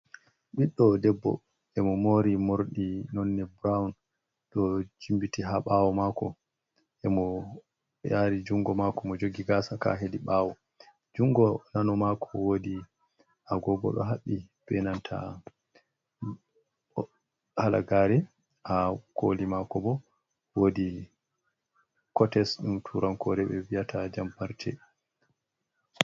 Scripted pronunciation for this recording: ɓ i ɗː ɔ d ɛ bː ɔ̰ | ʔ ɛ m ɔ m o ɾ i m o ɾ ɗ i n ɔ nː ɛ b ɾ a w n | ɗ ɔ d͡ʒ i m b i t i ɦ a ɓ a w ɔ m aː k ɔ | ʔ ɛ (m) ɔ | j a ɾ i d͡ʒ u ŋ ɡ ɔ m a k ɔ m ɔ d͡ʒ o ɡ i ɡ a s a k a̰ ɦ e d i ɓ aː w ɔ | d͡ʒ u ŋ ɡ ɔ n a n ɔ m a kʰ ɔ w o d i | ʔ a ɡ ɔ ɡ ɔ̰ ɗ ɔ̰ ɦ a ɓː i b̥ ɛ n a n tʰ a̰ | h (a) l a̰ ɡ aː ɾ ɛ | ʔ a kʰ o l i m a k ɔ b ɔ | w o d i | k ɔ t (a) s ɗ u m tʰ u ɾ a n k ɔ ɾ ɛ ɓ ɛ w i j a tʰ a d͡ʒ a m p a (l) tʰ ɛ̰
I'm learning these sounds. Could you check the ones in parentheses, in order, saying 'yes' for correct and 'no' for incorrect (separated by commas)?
yes, yes, no, no